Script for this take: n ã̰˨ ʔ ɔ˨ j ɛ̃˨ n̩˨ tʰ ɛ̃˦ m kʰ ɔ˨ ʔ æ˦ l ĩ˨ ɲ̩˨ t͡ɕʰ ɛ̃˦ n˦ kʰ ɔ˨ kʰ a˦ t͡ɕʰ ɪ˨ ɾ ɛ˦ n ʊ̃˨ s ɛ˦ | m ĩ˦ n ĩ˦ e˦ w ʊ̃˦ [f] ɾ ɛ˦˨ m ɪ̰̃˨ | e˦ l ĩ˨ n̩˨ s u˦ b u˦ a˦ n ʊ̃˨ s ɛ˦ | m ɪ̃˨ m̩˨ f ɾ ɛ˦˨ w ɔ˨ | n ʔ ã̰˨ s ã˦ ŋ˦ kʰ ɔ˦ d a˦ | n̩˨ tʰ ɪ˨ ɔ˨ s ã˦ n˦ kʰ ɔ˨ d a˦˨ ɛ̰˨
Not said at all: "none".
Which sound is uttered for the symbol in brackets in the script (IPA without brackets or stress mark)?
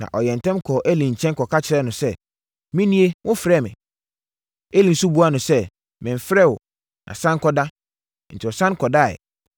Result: f